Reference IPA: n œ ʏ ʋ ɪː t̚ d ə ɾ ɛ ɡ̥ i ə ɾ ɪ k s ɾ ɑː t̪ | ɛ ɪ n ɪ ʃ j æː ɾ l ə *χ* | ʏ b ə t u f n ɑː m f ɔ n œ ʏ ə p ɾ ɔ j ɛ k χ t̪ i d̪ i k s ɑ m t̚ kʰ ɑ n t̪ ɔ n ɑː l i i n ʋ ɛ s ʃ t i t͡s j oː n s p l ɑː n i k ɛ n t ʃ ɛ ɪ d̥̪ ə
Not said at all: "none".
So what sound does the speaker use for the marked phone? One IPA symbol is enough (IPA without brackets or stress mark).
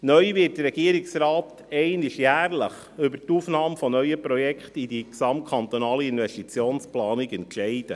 χ